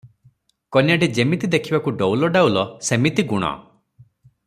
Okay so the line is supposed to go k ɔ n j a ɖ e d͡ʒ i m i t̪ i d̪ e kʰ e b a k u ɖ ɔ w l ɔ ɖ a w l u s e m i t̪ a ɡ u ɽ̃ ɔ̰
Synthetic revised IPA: k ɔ n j a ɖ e d͡ʒ e m i t̪ i d̪ e kʰ i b a k u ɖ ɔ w l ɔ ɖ a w l ɔ s e m i t̪ i ɡ u ɽ̃ ɔ̰